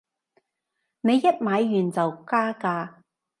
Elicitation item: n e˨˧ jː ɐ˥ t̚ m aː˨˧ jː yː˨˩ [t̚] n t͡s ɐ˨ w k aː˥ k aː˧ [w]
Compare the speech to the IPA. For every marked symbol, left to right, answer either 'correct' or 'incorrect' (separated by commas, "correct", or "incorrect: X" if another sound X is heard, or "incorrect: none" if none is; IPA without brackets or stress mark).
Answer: incorrect: none, incorrect: none